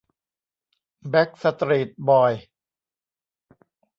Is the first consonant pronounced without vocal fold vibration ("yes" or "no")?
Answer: no